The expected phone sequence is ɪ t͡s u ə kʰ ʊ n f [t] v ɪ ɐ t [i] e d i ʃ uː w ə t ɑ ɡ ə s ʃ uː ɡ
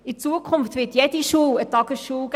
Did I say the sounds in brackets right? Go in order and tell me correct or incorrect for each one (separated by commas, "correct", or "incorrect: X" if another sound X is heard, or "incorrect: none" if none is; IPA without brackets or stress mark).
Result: correct, incorrect: j